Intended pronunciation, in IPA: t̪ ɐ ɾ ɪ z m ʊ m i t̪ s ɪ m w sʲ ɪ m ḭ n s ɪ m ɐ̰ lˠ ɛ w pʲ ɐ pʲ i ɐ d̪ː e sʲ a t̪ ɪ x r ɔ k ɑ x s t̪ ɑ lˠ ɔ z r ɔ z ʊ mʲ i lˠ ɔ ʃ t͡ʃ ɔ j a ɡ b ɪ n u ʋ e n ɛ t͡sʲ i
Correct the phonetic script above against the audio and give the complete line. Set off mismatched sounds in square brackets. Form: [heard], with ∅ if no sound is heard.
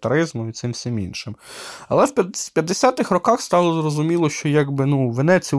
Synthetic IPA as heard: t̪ ɐ ɾ ɪ z m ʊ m i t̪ s ɪ m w sʲ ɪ m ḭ n [ʃ] ɪ m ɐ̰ lˠ ɛ w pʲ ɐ pʲ [j] ɐ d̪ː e sʲ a t̪ ɪ x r ɔ k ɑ x s t̪ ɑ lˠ ɔ z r ɔ z ʊ mʲ i lˠ ɔ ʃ t͡ʃ ɔ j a ɡ b ɪ n u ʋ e n ɛ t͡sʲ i